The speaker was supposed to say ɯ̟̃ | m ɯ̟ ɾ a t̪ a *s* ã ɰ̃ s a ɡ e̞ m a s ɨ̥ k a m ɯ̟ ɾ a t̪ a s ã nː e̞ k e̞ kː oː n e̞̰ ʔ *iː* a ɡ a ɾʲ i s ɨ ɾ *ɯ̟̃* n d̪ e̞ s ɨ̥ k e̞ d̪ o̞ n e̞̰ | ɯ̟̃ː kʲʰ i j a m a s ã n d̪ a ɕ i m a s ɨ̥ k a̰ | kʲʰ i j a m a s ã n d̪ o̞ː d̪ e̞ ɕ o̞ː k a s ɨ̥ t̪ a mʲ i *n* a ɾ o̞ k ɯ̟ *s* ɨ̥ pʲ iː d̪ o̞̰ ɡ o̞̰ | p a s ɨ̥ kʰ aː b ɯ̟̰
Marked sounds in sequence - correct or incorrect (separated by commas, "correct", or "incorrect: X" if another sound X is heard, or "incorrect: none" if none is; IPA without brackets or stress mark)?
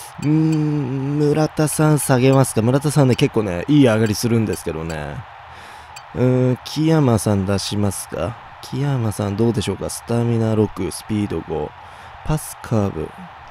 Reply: correct, correct, correct, correct, correct